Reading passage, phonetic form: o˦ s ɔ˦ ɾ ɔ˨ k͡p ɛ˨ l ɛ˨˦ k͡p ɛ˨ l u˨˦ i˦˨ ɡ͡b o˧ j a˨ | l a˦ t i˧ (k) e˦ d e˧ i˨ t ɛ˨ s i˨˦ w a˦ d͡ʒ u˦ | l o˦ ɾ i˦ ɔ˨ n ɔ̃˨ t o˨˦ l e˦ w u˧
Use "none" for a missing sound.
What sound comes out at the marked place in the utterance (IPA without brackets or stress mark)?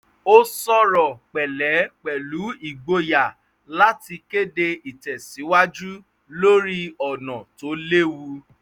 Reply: k